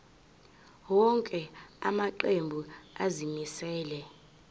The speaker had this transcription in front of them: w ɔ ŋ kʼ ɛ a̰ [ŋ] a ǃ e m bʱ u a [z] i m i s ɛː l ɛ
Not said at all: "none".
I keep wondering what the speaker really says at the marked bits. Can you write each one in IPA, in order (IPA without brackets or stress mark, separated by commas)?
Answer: m, z